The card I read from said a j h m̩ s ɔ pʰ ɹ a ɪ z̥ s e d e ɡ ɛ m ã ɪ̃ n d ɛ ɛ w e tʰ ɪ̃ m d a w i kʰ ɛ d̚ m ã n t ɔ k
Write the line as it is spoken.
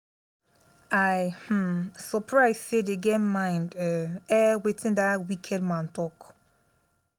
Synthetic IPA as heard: a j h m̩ s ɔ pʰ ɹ a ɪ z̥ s e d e ɡ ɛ m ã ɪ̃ n d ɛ ɛ w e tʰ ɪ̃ n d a w i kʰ ɛ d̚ m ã n t ɔ k